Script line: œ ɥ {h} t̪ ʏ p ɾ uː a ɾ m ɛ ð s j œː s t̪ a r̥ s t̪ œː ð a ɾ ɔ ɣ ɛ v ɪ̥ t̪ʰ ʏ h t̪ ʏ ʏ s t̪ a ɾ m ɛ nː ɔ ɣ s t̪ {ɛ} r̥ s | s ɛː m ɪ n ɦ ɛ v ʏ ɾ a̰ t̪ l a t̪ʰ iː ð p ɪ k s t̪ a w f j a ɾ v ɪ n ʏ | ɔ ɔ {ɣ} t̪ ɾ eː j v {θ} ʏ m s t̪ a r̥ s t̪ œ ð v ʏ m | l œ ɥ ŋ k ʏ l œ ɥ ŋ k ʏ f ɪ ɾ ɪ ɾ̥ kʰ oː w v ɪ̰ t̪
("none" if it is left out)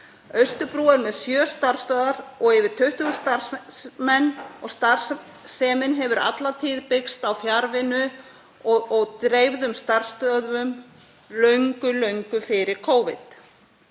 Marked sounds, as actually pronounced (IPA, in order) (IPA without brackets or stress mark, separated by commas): s, a, ɣ, ð